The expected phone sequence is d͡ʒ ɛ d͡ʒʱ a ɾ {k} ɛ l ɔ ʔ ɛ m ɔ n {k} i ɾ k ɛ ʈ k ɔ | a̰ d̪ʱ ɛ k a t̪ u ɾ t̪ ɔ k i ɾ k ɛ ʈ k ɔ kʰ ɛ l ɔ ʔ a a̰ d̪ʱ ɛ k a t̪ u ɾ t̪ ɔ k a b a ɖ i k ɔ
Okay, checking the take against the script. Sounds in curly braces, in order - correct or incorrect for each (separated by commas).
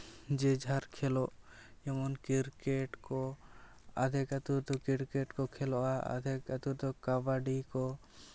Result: incorrect, correct